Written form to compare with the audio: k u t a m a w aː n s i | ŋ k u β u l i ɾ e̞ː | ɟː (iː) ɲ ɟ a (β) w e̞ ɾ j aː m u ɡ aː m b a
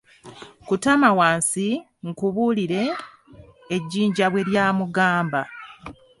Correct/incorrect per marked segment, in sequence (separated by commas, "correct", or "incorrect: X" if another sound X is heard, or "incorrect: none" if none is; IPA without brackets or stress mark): correct, correct